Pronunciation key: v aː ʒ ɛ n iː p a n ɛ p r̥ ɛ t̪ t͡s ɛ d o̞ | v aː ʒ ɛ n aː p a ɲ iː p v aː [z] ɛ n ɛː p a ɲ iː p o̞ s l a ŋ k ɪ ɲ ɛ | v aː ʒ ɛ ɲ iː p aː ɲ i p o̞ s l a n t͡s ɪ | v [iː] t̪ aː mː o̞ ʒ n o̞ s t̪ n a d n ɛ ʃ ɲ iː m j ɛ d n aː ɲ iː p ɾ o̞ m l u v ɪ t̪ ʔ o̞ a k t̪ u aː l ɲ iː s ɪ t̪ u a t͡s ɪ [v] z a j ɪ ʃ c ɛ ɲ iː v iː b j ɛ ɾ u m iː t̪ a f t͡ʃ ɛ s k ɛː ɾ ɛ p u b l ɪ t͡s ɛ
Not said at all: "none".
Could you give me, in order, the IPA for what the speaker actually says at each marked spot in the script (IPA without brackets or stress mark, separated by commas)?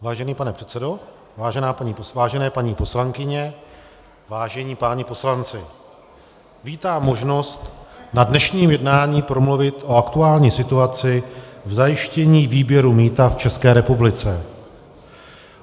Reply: ʒ, iː, v